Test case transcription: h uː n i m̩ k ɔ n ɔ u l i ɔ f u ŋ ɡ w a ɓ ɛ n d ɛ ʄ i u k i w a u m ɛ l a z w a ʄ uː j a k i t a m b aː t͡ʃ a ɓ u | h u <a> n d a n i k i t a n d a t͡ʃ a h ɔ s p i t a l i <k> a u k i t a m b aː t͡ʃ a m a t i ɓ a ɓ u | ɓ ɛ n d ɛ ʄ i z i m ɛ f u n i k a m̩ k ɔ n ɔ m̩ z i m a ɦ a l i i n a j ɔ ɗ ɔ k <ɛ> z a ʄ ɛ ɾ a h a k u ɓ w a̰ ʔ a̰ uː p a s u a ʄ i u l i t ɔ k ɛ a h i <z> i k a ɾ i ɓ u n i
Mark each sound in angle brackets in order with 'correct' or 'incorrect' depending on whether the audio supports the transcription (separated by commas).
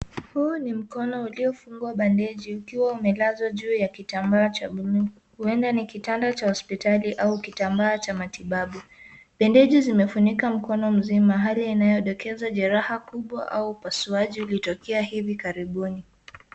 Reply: incorrect, incorrect, correct, incorrect